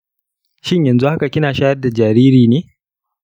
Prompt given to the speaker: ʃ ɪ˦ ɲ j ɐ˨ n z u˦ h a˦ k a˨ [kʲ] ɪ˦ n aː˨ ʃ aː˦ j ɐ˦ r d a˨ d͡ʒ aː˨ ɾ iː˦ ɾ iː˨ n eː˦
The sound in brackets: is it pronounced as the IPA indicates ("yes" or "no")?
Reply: yes